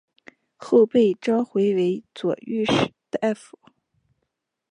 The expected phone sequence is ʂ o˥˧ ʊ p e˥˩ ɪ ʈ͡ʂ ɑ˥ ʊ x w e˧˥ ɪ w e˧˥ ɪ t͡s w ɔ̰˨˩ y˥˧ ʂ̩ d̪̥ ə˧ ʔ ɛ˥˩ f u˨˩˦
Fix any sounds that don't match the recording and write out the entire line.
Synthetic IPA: x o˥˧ ʊ p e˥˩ ɪ ʈ͡ʂ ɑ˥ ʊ x w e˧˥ ɪ w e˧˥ ɪ t͡s w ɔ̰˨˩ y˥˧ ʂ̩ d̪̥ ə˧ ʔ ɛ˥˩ f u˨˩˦